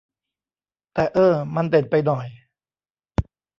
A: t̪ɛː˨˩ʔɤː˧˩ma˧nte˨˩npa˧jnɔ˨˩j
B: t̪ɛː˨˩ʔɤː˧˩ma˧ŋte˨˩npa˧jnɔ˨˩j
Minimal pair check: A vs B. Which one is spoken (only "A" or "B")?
A